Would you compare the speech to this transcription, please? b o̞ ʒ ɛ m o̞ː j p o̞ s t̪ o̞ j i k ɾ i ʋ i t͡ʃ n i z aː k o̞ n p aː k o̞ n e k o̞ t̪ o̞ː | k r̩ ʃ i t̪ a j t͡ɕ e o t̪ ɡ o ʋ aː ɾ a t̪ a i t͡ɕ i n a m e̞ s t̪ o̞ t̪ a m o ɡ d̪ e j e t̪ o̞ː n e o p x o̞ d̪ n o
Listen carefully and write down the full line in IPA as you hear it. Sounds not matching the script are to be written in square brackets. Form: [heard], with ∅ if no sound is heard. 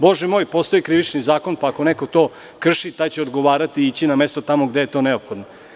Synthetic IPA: b o̞ ʒ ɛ m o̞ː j p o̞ s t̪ o̞ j i k ɾ i ʋ i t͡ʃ n i z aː k o̞ n p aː k o̞ n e k o̞ t̪ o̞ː | k r̩ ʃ i t̪ a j t͡ɕ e o [d̪] ɡ o ʋ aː ɾ a t̪ [i] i t͡ɕ i n a m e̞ s t̪ o̞ t̪ a m o ɡ d̪ e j e t̪ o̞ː n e o p x o̞ d̪ n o